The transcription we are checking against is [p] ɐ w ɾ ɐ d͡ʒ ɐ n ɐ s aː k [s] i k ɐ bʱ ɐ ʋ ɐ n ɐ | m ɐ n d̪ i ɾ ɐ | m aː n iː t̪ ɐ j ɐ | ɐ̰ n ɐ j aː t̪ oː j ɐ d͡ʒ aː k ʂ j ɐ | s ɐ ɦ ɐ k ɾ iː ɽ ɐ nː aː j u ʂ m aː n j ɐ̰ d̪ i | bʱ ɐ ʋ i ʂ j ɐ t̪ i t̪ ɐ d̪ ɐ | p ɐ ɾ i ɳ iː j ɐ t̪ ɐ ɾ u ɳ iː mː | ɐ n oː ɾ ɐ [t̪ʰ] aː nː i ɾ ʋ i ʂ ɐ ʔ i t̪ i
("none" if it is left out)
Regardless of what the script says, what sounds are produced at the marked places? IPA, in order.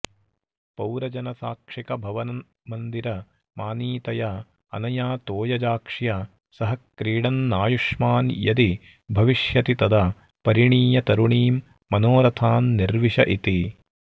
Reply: p, ʂ, t̪ʰ

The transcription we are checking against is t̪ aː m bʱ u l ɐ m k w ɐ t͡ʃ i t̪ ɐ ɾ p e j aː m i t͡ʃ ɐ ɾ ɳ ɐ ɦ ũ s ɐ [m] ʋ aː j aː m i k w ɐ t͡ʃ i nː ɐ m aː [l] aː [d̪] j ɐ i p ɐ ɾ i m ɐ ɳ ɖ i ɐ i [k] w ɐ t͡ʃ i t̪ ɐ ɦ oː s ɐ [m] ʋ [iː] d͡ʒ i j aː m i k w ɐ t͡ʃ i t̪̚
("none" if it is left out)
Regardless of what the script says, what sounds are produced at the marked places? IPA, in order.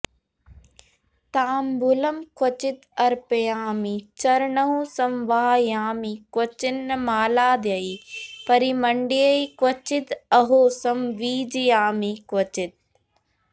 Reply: m, l, d̪, k, m, iː

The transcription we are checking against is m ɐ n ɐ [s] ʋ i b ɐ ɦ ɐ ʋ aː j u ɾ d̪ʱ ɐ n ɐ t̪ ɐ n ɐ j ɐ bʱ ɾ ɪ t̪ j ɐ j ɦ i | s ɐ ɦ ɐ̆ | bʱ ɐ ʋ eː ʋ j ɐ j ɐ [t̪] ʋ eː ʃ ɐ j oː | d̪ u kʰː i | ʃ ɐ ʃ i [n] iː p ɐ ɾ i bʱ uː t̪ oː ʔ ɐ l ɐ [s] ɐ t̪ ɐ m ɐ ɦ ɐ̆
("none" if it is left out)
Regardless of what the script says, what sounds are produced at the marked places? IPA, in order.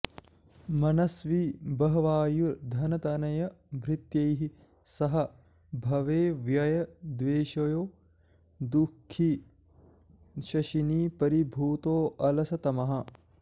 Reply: s, d̪, n, s

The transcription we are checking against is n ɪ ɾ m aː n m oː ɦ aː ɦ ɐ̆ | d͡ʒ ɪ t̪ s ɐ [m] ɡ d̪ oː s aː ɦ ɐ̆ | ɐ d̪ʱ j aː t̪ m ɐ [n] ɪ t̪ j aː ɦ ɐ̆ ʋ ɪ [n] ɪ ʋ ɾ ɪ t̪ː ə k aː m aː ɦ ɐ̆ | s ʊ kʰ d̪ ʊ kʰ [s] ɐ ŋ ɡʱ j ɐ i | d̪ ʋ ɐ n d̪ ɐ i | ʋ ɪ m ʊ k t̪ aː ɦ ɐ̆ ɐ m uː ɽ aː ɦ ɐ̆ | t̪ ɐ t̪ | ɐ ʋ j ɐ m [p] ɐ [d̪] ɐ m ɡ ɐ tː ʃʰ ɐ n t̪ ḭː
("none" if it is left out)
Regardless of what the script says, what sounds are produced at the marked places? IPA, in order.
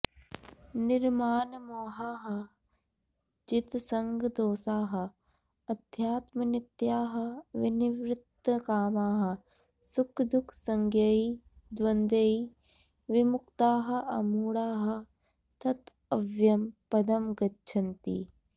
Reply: ŋ, n, n, s, p, d̪

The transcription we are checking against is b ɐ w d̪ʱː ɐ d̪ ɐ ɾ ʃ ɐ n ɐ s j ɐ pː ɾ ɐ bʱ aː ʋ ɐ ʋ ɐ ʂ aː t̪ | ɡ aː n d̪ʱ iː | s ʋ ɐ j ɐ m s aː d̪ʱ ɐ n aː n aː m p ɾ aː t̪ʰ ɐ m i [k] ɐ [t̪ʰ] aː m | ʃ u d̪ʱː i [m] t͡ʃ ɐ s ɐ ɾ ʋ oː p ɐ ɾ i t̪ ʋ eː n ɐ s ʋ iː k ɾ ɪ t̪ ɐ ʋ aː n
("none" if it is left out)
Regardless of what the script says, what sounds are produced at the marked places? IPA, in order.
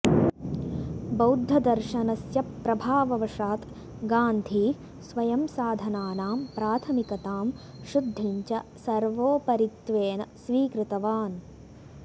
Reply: k, t̪, ɲ

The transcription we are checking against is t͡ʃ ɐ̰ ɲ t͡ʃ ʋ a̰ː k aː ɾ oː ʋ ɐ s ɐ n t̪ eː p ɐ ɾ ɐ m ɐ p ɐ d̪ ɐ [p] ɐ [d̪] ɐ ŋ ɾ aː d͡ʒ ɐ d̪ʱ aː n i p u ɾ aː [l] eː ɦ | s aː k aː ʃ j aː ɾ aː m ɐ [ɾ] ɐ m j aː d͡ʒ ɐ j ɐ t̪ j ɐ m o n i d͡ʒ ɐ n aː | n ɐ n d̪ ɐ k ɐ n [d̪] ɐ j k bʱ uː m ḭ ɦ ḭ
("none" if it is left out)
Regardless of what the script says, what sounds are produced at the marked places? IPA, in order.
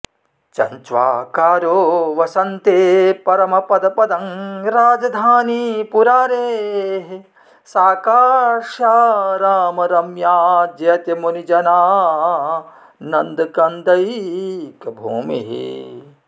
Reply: p, d̪, ɾ, ɾ, d̪

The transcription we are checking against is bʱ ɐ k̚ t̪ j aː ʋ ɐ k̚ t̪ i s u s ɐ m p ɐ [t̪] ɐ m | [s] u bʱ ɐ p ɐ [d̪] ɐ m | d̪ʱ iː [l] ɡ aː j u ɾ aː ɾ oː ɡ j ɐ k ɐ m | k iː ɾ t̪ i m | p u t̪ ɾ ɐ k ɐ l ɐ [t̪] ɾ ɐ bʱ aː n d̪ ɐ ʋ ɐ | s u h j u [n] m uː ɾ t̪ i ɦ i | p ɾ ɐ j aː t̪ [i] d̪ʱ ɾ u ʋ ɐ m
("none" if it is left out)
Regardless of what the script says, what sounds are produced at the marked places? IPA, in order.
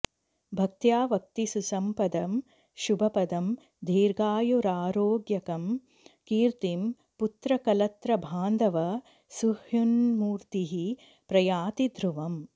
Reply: d̪, ʃ, d̪, ɾ, t̪, n, i

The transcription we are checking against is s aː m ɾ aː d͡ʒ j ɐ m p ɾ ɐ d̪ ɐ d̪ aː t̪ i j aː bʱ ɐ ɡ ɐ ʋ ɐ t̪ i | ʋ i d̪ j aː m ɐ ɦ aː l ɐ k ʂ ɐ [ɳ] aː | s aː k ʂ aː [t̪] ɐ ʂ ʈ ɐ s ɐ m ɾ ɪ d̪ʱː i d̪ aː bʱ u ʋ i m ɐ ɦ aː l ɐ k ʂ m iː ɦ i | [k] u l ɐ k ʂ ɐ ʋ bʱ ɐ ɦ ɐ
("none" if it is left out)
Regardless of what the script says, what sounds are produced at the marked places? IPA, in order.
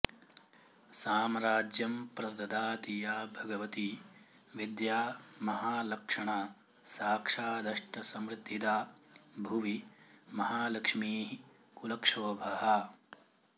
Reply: ɳ, d̪, k

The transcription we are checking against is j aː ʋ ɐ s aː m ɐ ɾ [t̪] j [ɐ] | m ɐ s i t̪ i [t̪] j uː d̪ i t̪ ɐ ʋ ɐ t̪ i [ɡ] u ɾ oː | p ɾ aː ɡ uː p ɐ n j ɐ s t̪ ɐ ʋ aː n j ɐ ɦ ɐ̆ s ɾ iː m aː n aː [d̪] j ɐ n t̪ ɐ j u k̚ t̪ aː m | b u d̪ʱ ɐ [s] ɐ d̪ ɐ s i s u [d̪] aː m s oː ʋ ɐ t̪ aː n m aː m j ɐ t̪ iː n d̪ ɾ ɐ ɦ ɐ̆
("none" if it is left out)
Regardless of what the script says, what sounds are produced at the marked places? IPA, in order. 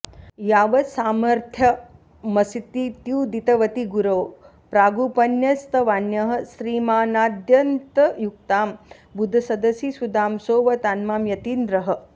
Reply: t̪ʰ, ɐ, t̪, ɡ, d̪, s, d̪

